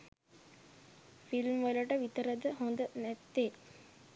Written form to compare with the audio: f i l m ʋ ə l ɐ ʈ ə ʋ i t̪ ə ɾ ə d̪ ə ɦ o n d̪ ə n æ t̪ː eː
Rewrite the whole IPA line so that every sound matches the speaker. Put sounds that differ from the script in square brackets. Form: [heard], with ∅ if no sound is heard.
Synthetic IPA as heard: f i l m ʋ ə l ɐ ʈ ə ʋ i t̪ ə ɾ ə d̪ ə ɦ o n d̪ ə n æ t̪ː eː